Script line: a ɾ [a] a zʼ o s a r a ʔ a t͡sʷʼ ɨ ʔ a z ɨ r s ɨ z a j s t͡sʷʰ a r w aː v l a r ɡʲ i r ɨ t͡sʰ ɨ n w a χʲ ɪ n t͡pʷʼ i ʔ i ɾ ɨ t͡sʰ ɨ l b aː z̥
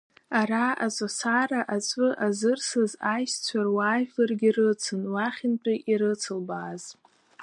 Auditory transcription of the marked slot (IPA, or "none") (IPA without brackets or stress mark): a